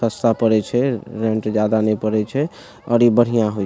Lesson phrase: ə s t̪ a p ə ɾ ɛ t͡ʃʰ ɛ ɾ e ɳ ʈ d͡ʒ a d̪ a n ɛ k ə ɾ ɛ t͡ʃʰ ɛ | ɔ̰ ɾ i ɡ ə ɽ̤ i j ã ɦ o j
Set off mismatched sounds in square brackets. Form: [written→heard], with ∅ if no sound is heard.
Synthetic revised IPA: ə s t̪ a p ə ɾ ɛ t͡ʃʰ ɛ ɾ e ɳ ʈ d͡ʒ a d̪ a n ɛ [k→p] ə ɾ ɛ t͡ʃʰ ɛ | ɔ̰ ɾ i [ɡ→b] ə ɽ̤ i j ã ɦ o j